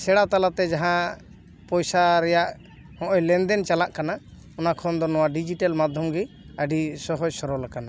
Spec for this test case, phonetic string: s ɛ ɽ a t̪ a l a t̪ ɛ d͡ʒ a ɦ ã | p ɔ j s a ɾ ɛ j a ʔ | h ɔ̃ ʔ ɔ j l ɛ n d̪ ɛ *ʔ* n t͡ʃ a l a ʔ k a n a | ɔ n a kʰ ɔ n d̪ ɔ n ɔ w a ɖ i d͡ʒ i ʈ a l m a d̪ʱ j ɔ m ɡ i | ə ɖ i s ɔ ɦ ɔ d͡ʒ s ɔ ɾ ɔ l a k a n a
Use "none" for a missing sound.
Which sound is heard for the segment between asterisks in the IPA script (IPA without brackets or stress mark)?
none